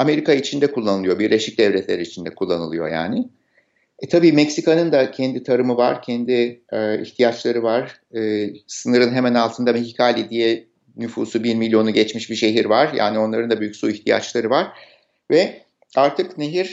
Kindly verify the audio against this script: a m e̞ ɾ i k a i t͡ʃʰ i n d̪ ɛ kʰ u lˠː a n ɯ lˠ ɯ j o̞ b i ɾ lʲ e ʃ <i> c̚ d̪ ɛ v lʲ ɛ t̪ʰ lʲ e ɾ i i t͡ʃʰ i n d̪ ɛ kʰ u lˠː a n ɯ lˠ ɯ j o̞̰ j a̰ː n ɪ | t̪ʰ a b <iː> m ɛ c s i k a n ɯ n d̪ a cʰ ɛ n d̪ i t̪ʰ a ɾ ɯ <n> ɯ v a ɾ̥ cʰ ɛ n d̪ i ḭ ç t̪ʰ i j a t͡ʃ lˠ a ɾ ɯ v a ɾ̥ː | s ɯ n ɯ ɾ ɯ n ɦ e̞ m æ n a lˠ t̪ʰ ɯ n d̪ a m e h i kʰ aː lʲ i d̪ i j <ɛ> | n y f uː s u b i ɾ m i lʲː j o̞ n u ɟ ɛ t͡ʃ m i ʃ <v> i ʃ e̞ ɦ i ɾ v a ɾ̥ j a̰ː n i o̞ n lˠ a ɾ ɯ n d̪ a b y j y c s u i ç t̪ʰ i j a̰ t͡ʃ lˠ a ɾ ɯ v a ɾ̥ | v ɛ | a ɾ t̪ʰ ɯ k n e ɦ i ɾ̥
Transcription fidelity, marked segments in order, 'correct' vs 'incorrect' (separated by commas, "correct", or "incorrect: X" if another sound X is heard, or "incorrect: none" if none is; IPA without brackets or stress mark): correct, correct, incorrect: m, correct, incorrect: b